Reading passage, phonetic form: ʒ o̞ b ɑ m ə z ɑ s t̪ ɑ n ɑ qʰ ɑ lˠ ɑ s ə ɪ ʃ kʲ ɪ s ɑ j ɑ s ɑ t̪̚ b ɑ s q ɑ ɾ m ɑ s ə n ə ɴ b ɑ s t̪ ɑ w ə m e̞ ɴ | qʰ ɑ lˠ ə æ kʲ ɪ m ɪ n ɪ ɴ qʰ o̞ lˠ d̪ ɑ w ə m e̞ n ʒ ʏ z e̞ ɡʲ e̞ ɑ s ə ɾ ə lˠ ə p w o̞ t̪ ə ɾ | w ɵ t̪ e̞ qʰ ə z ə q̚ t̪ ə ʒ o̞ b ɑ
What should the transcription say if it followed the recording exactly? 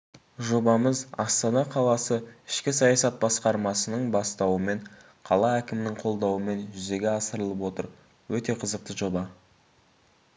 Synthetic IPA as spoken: ʒ o̞ b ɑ m ə z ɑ s t̪ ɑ n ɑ qʰ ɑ lˠ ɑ s ə ɪ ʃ kʲ ɪ s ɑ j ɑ s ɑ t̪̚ b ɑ s q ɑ ɾ m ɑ s ə n ə ɴ b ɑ s t̪ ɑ w ə m e̞ ɴ | qʰ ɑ lˠ ɑ æ kʲ ɪ m ɪ n ɪ ŋ qʰ o̞ lˠ d̪ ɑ w ə m e̞ n ʒ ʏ z e̞ ɡʲ e̞ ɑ s ə ɾ ə lˠ ə p w o̞ t̪ ə ɾ | w ɵ t̪ e̞ qʰ ə z ə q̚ t̪ ə ʒ o̞ b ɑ